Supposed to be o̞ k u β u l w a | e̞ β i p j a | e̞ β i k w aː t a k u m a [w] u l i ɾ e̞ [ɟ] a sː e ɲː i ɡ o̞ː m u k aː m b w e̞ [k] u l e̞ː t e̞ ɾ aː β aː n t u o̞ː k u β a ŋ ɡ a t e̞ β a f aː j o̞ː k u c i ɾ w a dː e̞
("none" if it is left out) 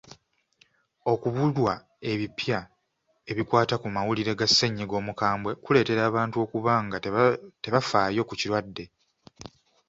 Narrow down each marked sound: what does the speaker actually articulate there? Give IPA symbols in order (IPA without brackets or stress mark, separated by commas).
w, ɡ, k